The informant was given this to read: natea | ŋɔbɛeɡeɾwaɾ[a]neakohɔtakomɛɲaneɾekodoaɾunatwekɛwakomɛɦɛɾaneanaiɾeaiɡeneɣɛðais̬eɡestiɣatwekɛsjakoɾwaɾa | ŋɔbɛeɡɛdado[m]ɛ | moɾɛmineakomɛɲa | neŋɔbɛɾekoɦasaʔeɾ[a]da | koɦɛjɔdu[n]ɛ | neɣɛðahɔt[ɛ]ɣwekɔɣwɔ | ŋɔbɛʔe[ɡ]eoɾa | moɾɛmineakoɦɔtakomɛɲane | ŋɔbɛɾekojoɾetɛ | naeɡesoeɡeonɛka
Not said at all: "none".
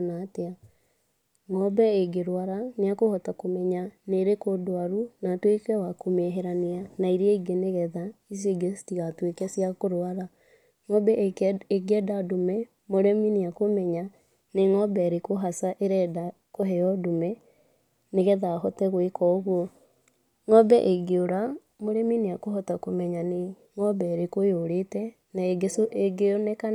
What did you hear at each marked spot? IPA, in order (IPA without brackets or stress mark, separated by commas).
a, m, ɛ, m, ɛ, ɡ